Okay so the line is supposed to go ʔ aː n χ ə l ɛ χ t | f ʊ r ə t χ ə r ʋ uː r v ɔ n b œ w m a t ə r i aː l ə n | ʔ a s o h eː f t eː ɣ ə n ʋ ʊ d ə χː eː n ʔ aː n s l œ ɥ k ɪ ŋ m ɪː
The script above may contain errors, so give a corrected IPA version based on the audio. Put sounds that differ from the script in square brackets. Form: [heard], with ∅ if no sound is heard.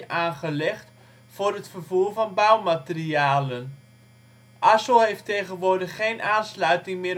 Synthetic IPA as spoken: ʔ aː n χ ə l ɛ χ t | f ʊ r ə t [f] ə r [v] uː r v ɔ n b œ w m a t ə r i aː l ə n | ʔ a s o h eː f t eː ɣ ə n ʋ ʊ d ə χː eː n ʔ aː n s l œ ɥ [t] ɪ ŋ m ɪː